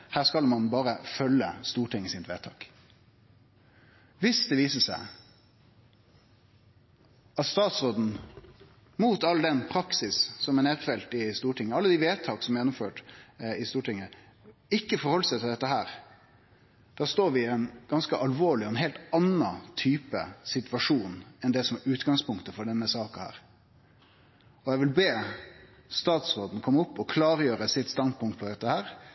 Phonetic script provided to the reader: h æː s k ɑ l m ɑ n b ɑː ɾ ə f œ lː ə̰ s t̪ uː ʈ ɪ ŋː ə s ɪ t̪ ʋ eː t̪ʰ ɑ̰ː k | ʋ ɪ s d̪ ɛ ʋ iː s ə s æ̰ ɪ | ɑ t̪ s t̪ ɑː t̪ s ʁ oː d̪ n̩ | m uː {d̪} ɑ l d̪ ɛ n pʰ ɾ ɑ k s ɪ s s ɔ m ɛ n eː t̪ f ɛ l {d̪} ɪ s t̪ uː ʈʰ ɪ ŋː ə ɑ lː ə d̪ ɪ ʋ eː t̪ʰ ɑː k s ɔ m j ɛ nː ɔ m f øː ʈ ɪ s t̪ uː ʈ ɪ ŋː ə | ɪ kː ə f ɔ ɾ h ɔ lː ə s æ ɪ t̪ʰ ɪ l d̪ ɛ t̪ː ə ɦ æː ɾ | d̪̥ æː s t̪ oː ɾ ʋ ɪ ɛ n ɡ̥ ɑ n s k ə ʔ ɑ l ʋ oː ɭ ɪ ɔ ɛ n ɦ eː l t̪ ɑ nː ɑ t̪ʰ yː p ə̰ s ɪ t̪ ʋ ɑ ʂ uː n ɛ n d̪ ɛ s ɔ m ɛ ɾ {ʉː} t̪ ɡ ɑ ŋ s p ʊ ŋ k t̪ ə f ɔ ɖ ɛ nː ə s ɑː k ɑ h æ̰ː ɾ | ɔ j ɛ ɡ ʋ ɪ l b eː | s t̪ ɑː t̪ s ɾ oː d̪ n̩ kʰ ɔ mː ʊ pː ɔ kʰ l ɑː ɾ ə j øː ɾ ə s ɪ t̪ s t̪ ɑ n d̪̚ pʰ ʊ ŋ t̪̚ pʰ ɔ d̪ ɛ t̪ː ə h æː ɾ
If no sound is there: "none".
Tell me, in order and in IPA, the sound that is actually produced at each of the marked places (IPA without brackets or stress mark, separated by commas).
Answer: t̪, t̪, ʉː